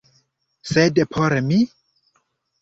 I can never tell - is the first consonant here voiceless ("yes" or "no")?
yes